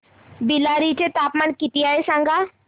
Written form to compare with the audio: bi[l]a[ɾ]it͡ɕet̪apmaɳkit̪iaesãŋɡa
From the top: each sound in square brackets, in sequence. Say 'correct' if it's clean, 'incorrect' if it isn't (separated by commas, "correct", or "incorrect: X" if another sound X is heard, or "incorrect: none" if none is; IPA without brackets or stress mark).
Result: correct, correct